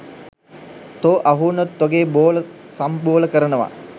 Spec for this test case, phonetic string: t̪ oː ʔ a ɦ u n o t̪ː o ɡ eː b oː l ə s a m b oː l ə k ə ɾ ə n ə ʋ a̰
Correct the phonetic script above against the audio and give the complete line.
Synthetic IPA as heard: t̪ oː ʔ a ɦ u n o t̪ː o ɡ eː b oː l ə s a m b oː l ə k ə ɾ ə n ə ʋ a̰